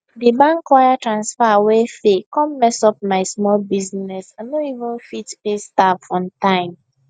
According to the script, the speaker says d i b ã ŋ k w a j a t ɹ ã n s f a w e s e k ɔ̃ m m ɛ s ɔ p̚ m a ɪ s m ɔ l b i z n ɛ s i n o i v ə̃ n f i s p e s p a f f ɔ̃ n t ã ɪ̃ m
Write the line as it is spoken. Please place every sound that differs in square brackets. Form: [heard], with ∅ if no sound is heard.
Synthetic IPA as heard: d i b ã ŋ k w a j a t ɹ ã n s f a w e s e k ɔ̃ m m ɛ s ɔ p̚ m a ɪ s m ɔ l b i z n ɛ s [a] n o i v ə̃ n f i [t] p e s [t] a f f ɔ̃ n t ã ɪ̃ m